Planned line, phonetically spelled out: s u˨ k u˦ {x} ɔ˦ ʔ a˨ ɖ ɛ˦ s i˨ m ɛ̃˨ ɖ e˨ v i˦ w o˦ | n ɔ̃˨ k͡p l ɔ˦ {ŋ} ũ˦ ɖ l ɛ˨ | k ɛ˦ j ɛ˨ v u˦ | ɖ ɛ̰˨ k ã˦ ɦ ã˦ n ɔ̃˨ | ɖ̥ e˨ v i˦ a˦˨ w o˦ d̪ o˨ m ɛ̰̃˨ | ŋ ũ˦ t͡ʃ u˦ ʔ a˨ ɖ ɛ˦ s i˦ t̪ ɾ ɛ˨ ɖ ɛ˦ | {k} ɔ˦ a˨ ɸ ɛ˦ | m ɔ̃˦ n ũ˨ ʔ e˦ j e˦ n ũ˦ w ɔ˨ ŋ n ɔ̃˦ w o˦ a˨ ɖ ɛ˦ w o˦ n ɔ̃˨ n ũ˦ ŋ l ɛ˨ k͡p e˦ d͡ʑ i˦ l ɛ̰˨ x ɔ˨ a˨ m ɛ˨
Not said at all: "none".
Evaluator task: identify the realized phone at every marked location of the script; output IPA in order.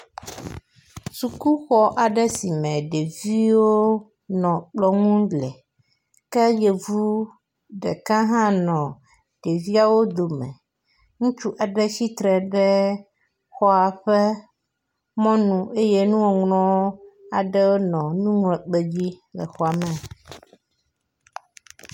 x, ŋ, x

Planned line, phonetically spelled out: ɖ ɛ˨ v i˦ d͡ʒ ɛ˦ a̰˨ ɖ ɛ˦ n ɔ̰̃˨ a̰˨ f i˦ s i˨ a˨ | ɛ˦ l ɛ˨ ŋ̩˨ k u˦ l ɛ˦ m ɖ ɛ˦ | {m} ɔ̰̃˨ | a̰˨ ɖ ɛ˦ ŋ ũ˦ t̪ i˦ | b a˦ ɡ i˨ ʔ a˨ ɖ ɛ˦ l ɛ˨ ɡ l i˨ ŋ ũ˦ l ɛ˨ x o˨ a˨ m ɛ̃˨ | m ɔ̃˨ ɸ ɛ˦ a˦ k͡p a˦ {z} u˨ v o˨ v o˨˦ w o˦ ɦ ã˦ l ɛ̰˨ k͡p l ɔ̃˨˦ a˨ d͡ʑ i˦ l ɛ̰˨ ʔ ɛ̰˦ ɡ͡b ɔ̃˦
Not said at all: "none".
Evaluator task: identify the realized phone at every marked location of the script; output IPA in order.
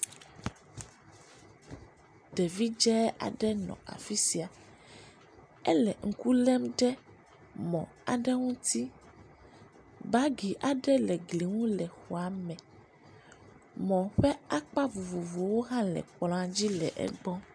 m, v

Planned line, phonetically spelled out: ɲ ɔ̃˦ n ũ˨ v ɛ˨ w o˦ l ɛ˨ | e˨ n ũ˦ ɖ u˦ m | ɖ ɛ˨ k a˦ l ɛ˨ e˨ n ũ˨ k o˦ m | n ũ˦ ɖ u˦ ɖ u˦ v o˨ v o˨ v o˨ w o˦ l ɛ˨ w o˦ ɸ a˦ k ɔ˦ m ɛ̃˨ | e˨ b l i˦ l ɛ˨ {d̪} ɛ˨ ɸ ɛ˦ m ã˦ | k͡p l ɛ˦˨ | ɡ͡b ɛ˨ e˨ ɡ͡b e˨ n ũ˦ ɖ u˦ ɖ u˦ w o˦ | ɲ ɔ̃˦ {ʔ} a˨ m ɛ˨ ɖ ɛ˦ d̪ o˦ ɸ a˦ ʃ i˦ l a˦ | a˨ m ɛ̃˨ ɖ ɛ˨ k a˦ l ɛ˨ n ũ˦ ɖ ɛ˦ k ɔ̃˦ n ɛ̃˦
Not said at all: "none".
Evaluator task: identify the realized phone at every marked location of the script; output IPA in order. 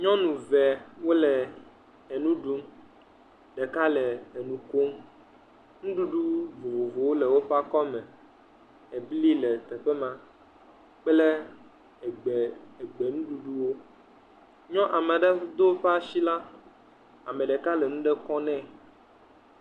t̪, ʔ

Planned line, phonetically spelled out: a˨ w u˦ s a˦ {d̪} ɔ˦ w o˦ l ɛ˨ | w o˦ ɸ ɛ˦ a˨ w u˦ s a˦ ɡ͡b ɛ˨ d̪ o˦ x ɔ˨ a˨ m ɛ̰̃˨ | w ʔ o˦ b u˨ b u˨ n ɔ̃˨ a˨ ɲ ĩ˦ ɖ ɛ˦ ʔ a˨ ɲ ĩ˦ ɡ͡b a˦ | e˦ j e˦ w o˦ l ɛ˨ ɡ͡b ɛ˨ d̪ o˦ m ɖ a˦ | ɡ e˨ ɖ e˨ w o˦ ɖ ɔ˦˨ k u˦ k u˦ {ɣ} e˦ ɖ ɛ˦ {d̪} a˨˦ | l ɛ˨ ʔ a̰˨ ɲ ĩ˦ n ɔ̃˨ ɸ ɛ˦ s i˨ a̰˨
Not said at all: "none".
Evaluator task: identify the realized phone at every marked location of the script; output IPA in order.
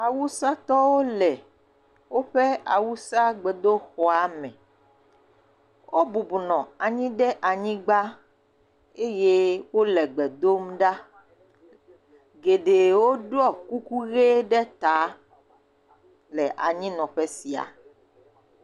t̪, ɣ, t̪

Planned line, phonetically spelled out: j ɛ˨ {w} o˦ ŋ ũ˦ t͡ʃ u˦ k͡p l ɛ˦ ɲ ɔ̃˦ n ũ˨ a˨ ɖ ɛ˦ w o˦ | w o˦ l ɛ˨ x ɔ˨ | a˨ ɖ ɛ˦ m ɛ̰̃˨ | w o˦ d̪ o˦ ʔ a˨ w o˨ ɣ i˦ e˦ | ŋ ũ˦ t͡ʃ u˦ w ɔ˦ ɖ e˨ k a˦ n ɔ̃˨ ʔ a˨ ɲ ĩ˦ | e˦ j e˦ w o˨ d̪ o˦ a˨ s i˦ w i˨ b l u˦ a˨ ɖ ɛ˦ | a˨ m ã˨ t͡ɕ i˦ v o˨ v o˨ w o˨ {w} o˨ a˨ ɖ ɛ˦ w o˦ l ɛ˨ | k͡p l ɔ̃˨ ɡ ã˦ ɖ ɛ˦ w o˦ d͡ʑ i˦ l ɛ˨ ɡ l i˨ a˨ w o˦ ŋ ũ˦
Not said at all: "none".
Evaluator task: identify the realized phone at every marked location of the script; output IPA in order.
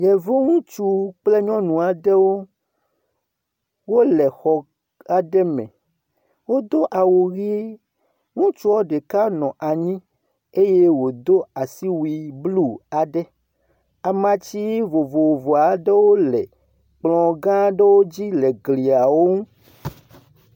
v, v

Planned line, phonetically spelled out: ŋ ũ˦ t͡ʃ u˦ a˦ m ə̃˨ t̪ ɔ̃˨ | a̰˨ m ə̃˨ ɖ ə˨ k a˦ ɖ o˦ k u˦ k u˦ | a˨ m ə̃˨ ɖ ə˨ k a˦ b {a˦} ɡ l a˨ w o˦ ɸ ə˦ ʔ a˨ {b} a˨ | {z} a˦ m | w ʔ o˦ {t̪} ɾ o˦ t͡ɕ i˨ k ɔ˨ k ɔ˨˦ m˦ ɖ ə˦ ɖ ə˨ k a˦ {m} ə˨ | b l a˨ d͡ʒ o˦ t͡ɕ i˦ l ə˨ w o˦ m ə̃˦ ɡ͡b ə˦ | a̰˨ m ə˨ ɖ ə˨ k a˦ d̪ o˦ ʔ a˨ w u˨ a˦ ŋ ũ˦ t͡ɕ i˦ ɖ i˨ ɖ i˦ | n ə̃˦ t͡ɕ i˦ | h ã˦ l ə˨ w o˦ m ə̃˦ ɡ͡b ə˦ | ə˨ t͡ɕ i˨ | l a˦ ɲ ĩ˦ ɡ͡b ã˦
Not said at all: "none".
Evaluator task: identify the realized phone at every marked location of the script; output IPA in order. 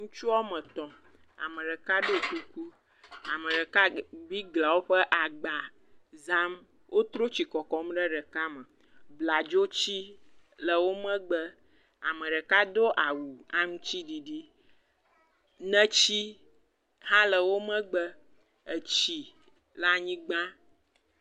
i˦, ɡ͡b, z, t̪, m

